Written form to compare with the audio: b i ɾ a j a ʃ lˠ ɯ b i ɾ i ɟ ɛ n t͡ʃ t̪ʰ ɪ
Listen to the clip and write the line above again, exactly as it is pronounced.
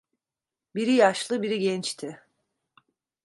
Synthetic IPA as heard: b i ɾ i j a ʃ lˠ ɯ b i ɾ i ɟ ɛ n t͡ʃ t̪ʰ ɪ